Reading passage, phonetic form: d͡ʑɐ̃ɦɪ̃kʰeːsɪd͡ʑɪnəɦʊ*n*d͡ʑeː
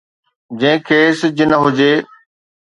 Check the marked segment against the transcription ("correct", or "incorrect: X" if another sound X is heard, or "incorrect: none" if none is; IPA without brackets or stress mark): incorrect: none